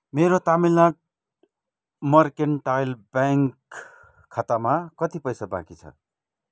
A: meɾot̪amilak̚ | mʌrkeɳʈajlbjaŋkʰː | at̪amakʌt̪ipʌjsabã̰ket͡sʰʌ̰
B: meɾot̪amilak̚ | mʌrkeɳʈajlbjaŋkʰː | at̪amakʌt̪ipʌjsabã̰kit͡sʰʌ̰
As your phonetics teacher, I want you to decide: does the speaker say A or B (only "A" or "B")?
B